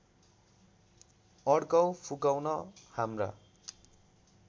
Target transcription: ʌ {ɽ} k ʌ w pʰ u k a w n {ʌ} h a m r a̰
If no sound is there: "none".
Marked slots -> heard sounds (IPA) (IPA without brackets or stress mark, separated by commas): ɽ, ʌ